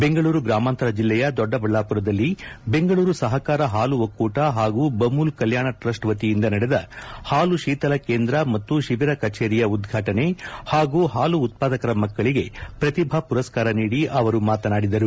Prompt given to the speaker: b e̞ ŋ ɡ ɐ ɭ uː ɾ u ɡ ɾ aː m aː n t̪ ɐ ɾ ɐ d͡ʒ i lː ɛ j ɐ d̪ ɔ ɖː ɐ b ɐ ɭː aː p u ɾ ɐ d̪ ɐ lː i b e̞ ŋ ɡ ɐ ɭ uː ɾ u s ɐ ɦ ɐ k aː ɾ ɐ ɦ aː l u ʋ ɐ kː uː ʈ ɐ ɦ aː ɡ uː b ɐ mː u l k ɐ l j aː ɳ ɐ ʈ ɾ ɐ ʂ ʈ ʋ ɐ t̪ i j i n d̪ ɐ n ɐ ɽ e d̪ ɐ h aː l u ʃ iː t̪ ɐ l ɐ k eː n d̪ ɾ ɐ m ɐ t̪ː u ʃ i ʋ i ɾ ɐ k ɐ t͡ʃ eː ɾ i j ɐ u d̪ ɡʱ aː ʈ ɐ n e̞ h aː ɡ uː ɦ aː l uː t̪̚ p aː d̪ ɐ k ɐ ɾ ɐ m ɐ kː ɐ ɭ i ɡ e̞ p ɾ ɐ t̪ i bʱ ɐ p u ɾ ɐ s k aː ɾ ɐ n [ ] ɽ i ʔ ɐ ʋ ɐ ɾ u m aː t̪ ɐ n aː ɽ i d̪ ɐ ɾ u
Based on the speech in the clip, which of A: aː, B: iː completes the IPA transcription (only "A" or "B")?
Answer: B